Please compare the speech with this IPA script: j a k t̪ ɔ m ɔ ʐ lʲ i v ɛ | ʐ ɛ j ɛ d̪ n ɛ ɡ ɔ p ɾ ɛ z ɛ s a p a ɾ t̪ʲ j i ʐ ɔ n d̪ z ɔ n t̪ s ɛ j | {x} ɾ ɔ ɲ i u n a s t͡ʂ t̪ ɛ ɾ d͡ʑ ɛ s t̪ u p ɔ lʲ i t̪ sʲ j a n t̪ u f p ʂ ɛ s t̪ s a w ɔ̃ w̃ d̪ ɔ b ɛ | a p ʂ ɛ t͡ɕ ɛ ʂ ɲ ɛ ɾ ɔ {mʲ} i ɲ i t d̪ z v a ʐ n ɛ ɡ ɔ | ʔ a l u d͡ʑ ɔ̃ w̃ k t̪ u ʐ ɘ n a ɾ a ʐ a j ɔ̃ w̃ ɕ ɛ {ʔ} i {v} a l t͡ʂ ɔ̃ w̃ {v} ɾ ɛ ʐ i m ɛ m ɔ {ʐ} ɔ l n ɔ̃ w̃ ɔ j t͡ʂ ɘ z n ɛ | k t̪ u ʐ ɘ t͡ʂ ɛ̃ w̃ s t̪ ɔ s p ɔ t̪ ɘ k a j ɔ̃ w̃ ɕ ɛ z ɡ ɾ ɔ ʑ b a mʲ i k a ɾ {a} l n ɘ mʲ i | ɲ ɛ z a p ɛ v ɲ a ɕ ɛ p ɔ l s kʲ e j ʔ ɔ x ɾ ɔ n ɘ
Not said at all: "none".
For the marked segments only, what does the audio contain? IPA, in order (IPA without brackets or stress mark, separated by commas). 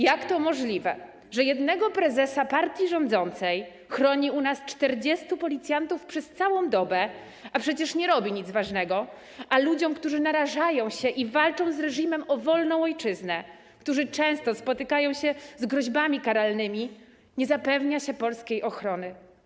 x, bʲ, ʔ, v, z, v, a